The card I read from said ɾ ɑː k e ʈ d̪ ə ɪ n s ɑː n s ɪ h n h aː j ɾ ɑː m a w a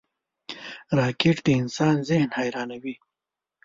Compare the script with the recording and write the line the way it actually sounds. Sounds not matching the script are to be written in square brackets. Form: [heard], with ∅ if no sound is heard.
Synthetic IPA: ɾ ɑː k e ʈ d̪ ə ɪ n s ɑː n [z] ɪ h n h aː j ɾ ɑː [n] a w [i]